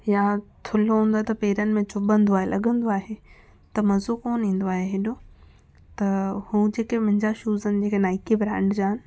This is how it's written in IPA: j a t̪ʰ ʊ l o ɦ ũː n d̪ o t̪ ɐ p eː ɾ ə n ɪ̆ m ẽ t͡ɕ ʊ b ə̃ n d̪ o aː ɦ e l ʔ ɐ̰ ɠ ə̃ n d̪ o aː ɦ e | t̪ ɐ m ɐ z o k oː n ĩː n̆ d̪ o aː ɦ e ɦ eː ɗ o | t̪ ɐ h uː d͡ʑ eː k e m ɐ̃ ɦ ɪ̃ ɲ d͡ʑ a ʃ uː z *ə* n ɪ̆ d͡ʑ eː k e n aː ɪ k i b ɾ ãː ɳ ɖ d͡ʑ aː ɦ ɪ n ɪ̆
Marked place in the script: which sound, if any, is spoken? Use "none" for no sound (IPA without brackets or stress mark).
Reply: ə